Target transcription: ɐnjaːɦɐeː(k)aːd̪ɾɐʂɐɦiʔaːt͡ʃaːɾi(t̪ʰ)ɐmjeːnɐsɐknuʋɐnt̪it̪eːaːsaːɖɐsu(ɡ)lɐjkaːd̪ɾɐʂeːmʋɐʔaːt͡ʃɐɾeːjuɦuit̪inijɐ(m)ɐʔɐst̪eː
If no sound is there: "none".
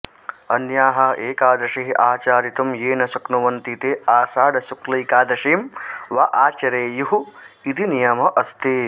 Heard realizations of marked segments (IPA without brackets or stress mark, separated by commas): k, t̪, k, m